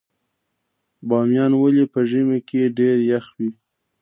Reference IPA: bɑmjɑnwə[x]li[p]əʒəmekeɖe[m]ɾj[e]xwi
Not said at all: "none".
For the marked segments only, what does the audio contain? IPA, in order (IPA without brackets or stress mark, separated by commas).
none, p, none, a